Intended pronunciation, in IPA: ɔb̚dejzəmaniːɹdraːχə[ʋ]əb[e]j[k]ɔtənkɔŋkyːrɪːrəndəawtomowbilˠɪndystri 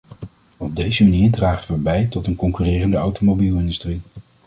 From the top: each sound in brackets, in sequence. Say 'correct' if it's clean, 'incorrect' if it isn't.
correct, incorrect: ɛ, incorrect: t

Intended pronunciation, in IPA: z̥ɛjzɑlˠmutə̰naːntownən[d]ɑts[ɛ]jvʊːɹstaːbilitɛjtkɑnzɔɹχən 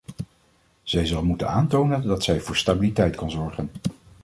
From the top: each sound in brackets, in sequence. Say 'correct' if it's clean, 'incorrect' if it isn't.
correct, correct

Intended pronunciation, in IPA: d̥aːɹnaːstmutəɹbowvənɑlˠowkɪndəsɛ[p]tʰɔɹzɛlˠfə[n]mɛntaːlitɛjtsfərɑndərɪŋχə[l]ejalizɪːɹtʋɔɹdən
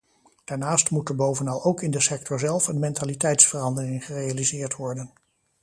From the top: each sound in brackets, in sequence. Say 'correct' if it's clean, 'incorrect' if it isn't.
incorrect: k, correct, incorrect: r

